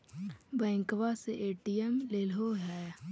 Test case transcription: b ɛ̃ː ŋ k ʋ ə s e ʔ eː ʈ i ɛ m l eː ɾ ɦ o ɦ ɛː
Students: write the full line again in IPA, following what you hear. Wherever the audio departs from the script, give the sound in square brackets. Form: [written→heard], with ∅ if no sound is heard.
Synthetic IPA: b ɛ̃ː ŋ k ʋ [ə→a] s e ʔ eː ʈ i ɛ m l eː [ɾ→l] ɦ o ɦ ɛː